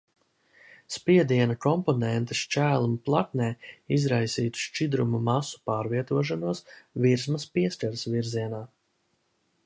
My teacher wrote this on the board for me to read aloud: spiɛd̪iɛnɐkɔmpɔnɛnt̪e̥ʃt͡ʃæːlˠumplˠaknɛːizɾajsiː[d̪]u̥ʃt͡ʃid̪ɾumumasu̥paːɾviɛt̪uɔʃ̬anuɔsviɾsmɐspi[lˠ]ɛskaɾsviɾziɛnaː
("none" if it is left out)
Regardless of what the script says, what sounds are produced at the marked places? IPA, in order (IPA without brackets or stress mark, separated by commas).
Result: t̪, none